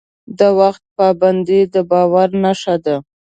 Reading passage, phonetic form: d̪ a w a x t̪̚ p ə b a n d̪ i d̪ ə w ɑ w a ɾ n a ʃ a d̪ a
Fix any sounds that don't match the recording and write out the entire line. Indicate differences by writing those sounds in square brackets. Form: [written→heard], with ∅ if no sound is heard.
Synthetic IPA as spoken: d̪ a w a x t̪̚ p [ə→ɑ] b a n d̪ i d̪ ə [w→b] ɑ w a ɾ n a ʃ a d̪ a